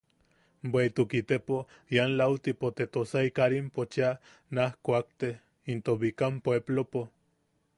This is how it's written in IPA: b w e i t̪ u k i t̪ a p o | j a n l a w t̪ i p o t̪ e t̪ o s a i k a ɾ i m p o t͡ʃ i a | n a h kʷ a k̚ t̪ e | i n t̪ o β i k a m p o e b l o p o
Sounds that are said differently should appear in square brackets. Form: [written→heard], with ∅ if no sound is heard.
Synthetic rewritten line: b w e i t̪ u k i t̪ [a→e] p o | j a n l a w t̪ i p o t̪ e t̪ o s a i k a ɾ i m p o t͡ʃ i a | n a h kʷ a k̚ t̪ e | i n t̪ o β i k a m p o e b l o p o

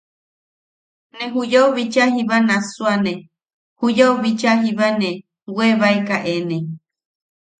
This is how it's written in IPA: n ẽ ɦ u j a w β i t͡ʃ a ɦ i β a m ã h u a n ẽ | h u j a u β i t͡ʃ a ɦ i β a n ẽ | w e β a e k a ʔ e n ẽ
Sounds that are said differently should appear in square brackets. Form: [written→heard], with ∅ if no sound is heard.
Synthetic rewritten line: n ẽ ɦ u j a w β i t͡ʃ a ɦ i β a [m→n] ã [h→s] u a n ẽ | h u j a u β i t͡ʃ a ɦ i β a n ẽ | w e β a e k a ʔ e n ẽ

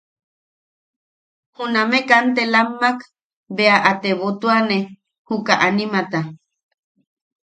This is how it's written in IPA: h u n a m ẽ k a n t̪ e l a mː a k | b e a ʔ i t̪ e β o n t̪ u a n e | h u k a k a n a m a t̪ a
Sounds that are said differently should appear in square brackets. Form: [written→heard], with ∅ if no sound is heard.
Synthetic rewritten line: h u n a m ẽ k a n t̪ e l a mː a k | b e a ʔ [i→a] t̪ e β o [n→∅] t̪ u a n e | h u k a [k→ʔ] a n [a→i] m a t̪ a

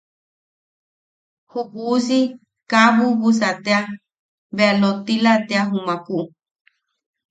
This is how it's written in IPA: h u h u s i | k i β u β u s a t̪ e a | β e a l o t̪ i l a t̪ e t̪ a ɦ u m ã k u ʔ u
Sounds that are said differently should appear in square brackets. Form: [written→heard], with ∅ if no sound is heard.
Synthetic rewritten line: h u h u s i | k [i→a] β u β u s a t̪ e a | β e a l o t̪ i l a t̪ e [t̪→∅] a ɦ u m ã k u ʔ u

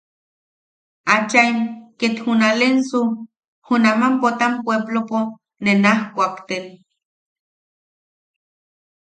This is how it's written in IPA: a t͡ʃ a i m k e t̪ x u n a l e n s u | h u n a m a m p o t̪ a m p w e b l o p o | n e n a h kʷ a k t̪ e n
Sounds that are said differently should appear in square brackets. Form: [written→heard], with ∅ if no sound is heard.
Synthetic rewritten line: a t͡ʃ a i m k e t̪ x u n a l e n s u | h u n a m a m p o t̪ a m p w e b l o p o | n e n a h kʷ a k t̪ e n

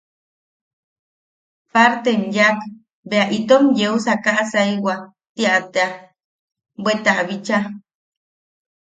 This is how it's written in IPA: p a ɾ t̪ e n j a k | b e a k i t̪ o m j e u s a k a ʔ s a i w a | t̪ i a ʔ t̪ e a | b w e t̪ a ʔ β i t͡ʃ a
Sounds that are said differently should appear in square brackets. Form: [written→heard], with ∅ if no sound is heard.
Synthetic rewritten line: p a ɾ t̪ e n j a k | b e a [k→ʔ] i t̪ o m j e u s a k a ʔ s a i w a | t̪ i a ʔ t̪ e a | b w e t̪ a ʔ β i t͡ʃ a

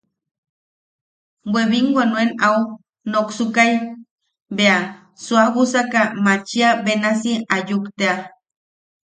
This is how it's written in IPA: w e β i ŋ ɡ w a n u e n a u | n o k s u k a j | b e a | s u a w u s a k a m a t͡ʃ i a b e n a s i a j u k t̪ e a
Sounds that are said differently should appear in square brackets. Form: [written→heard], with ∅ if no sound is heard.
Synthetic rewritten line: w e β i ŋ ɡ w a n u e n a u | n o k s u k a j | b e a | s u a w u s a k a m a t͡ʃ i a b e n a s i a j u k t̪ e a

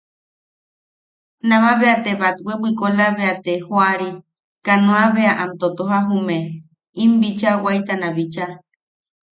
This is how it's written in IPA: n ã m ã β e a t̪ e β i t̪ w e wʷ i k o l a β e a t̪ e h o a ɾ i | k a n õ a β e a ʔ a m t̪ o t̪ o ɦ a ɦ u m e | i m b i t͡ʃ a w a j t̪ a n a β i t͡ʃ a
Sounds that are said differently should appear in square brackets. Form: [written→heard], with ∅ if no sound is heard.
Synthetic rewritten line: n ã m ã β e a t̪ e β [i→a] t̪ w e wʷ i k o l a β e a t̪ e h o a ɾ i | k a n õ a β e a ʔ a m t̪ o t̪ o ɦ a ɦ u m e | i m b i t͡ʃ a w a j t̪ a n a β i t͡ʃ a

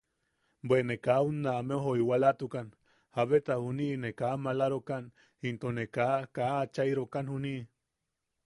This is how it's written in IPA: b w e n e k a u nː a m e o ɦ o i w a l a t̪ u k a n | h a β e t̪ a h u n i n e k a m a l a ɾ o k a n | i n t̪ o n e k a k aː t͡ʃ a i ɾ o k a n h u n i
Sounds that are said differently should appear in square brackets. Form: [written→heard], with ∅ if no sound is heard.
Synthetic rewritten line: b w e n e k a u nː a m e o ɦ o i w a l a t̪ u k a n | h a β e t̪ a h u n i n e k a m a l a ɾ o k a n | i n t̪ o n e k a k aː t͡ʃ a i ɾ o k a n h u n i

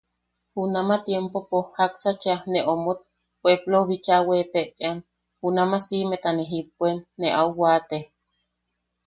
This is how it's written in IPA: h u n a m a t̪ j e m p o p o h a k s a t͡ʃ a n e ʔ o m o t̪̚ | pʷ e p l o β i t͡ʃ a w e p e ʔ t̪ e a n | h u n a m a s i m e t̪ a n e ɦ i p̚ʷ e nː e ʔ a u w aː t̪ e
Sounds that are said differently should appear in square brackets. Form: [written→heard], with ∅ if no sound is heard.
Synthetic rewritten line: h u n a m a t̪ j e m p o p o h a k s a t͡ʃ a n e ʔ o m o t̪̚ | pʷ e p l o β i t͡ʃ a w e p e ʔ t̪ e a n | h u n a m a s i m e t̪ a n e ɦ i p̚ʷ e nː e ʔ a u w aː t̪ e

